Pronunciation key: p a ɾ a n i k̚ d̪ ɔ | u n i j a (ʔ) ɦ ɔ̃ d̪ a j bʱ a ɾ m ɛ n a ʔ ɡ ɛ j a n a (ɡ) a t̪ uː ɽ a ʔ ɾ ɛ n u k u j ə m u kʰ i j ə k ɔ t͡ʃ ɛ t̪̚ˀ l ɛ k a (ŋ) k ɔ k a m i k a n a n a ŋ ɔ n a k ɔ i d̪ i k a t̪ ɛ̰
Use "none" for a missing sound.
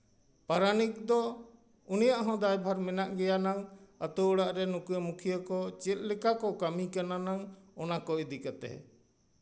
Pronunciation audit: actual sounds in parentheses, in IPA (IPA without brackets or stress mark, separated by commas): ʔ, ŋ, none